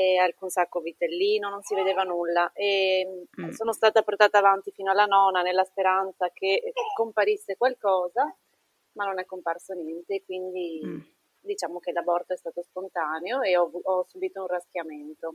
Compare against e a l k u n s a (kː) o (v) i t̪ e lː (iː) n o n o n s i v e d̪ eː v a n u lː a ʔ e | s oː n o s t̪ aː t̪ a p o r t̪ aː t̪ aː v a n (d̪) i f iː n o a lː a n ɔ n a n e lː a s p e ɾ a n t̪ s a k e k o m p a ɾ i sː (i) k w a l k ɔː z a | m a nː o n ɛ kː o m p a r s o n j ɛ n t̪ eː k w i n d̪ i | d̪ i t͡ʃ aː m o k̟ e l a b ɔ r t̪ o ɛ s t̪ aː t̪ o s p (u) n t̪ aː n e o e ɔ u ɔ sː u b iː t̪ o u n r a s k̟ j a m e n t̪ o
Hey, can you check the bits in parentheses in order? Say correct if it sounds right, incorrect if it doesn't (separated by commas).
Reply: correct, correct, correct, incorrect, incorrect, incorrect